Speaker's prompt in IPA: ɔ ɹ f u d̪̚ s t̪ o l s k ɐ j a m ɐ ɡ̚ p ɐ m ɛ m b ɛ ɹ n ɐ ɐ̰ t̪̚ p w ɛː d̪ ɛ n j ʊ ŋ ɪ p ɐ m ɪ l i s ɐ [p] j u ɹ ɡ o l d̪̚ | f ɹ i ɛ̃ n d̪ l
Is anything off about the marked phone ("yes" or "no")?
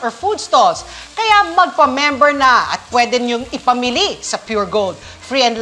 no